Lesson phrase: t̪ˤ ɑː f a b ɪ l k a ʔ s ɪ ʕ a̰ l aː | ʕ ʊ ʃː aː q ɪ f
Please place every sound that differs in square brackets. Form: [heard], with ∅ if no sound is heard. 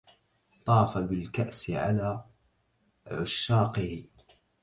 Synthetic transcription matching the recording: t̪ˤ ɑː f a b ɪ l k a ʔ s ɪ ʕ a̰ l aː | ʕ ʊ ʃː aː q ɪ [h]